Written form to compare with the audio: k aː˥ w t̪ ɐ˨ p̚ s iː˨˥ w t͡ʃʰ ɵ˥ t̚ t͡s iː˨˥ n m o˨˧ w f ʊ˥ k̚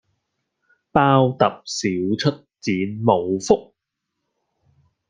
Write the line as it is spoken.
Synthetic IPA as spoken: p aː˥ w t̪ ɐ˨ p̚ s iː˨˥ w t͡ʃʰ ɵ˥ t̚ t͡s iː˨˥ n m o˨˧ w f ʊ˥ k̚